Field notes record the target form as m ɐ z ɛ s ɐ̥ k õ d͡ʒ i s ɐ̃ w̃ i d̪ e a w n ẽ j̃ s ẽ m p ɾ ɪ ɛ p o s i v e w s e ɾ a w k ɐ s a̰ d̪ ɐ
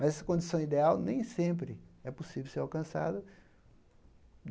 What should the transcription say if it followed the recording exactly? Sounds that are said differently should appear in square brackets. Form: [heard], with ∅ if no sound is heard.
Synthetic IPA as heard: m ɐ z ɛ s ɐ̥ k õ d͡ʒ i s ɐ̃ w̃ i d̪ e a w n ẽ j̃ s ẽ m p ɾ ɪ ɛ p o s i v e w s e ɾ a w k [ɐ̃] s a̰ d̪ ɐ